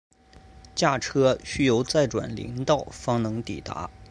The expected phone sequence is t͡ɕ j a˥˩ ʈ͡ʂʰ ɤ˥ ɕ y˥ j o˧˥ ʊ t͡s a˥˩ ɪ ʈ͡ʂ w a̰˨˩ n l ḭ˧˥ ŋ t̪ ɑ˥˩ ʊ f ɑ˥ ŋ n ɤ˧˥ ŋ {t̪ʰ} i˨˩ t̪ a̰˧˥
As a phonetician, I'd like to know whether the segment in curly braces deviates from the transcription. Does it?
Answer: yes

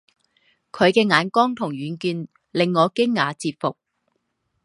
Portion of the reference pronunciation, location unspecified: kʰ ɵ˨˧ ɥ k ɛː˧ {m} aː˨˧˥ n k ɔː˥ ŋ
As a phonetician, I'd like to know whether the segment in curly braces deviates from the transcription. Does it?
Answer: yes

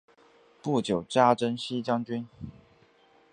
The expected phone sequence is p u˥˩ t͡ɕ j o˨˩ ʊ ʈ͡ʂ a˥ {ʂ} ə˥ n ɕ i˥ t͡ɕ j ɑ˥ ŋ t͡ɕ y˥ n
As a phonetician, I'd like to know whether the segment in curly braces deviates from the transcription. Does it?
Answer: yes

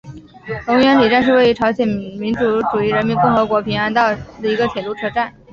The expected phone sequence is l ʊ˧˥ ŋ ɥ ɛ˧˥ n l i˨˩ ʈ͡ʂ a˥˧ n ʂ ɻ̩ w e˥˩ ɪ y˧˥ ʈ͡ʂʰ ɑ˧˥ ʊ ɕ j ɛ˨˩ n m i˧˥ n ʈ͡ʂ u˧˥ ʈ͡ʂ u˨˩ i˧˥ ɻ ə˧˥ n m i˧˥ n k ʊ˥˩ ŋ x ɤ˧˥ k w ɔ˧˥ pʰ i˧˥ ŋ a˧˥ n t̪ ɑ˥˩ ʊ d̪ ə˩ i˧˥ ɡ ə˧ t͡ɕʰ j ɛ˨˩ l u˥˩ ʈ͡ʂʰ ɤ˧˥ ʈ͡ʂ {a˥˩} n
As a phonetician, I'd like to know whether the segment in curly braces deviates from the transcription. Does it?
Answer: no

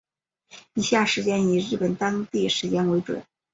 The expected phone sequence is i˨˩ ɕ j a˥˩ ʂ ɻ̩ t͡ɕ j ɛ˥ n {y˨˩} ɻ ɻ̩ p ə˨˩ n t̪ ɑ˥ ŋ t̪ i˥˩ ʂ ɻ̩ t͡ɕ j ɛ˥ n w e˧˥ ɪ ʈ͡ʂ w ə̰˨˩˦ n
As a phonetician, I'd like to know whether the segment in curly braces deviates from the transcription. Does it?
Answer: yes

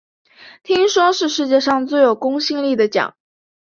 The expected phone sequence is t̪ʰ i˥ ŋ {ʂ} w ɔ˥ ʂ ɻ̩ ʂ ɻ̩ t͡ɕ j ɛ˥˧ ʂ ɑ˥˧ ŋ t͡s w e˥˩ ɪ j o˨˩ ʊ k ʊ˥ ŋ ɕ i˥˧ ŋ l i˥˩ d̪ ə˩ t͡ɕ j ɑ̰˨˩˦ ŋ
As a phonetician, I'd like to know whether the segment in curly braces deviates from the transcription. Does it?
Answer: no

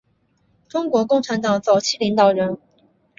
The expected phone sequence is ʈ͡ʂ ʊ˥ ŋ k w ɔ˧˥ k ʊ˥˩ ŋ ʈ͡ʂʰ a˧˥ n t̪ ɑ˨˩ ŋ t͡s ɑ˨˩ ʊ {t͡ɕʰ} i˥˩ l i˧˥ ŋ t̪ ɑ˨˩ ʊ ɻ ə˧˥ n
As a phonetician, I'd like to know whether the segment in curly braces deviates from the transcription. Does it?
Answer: no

